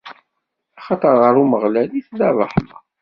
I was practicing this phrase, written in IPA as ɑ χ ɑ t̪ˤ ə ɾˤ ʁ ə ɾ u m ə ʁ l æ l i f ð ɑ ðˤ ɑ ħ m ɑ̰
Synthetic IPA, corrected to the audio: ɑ χ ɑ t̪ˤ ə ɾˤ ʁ ə ɾ u m ə ʁ l æ l i θ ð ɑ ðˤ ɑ ħ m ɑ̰